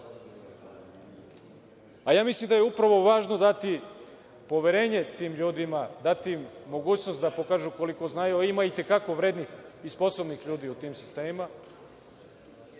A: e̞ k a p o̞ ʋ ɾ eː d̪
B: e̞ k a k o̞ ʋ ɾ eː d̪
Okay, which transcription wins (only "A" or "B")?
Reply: B